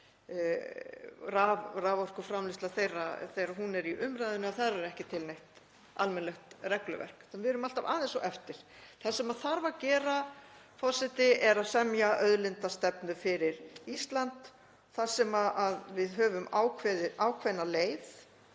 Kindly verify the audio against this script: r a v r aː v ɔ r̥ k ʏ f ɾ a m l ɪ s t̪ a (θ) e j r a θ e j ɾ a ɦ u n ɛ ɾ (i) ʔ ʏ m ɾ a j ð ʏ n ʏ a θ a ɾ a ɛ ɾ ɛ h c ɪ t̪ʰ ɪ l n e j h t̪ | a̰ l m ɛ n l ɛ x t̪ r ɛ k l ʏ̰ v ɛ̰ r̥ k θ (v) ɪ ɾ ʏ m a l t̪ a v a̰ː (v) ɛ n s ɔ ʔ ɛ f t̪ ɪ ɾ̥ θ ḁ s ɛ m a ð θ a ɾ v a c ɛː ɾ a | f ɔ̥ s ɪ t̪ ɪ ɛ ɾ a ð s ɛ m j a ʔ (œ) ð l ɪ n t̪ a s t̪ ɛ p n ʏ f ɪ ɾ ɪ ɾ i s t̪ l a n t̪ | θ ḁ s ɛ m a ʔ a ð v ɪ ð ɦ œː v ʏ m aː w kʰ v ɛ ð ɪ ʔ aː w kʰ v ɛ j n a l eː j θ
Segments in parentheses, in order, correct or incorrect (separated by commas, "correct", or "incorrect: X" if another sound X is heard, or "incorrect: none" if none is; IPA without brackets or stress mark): correct, correct, correct, incorrect: ð, correct